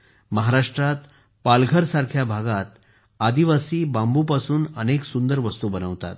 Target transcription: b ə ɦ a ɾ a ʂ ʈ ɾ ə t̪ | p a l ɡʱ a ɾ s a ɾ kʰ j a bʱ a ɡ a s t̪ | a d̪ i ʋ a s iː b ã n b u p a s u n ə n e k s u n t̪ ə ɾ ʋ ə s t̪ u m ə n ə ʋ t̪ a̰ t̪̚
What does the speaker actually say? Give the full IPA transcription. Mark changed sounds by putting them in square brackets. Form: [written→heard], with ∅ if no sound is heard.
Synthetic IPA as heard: [b→m] ə ɦ a ɾ a ʂ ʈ ɾ [ə→a] t̪ | p a l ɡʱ [a→ə] ɾ s a ɾ kʰ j a bʱ a ɡ a [s→∅] t̪ | a d̪ i ʋ a s iː b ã [n→m] b u p a s [u→uː] n ə n e k s u n [t̪→d̪] ə ɾ ʋ ə s t̪ u [m→b] ə n ə ʋ t̪ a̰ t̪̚